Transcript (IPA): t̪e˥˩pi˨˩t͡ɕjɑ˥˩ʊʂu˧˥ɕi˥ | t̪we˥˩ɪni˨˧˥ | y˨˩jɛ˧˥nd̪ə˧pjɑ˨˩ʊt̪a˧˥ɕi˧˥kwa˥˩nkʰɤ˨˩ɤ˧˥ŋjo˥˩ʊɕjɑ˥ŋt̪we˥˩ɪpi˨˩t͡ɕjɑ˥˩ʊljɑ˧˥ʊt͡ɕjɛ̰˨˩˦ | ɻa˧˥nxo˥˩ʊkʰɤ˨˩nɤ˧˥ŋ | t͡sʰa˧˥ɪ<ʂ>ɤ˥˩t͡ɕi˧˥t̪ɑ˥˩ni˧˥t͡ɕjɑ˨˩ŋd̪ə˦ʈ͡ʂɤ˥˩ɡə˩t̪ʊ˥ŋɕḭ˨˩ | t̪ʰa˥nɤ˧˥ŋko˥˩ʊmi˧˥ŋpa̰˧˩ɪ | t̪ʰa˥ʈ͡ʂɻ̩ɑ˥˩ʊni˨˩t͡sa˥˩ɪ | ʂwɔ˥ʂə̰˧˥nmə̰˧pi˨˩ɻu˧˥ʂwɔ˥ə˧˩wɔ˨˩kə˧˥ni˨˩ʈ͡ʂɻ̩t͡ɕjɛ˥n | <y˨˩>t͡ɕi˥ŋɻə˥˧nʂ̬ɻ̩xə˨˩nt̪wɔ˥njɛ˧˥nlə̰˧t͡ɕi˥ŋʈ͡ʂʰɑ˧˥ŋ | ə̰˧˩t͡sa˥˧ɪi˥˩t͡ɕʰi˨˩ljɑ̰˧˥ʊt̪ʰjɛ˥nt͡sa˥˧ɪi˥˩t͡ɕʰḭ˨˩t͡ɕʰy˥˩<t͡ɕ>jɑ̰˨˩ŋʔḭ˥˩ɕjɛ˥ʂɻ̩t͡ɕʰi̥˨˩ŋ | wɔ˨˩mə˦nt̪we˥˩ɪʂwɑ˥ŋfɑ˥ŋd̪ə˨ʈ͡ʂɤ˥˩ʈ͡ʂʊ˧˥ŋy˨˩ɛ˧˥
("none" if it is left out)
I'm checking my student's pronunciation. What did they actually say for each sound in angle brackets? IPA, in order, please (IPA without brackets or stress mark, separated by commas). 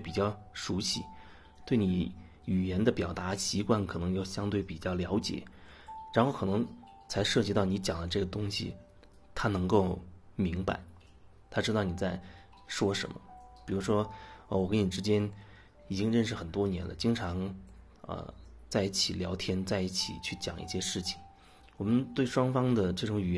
ʂ, i˨˩, t͡ɕ